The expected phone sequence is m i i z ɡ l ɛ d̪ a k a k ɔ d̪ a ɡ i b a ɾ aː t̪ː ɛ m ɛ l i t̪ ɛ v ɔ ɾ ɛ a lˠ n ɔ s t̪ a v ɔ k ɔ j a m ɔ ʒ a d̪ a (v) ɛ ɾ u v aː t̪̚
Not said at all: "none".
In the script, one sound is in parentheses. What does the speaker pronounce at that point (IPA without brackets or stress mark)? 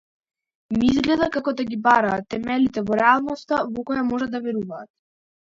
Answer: v